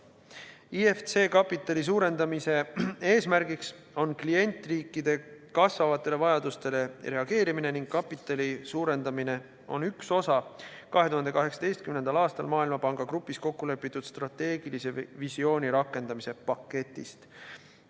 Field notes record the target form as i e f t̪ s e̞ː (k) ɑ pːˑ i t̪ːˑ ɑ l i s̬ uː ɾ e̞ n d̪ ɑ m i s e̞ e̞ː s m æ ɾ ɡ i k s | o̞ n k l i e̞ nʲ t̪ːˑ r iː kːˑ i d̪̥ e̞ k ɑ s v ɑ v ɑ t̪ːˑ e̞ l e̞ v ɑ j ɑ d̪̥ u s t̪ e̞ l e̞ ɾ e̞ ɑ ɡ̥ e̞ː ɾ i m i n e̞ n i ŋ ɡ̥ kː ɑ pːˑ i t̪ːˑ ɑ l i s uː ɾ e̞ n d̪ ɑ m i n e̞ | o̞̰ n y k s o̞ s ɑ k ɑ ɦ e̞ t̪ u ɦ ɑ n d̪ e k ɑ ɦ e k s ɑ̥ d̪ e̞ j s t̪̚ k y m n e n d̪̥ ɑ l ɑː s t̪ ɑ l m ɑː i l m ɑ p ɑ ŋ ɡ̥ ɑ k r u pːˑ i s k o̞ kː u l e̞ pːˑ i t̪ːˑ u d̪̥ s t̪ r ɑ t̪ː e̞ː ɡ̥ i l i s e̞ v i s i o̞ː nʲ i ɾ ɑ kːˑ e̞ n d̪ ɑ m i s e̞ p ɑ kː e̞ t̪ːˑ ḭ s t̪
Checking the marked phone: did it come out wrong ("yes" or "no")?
no